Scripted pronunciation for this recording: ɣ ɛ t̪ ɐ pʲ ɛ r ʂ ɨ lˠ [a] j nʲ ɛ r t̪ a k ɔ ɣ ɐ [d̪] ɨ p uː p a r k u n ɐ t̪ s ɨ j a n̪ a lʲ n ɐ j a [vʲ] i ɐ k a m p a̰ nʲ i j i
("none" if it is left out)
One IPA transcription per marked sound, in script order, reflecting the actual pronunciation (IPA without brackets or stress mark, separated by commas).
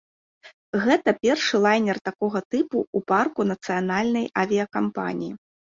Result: a, t̪, vʲ